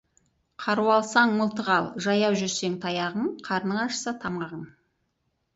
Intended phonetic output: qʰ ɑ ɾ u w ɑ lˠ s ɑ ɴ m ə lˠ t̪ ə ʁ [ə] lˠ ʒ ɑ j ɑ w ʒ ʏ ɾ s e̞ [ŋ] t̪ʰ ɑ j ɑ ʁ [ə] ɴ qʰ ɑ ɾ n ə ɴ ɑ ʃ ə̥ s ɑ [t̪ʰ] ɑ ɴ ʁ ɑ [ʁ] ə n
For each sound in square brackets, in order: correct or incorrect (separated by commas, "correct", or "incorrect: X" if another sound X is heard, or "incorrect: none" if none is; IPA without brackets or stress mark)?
incorrect: ɑ, correct, correct, correct, correct